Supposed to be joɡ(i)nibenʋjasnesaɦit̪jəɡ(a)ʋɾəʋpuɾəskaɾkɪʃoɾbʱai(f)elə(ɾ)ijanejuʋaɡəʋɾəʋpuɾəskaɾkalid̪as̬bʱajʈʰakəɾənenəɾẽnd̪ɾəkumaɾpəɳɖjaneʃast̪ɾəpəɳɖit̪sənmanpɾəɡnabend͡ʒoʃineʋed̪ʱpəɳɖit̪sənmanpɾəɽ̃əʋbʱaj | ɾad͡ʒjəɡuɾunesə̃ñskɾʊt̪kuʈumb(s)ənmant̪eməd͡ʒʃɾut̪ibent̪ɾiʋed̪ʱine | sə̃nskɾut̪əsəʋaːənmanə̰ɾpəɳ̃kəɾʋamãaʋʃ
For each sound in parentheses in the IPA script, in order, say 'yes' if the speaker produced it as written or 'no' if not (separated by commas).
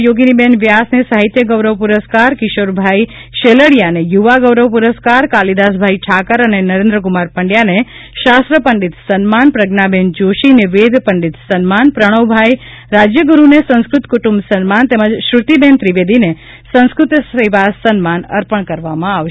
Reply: yes, no, no, no, yes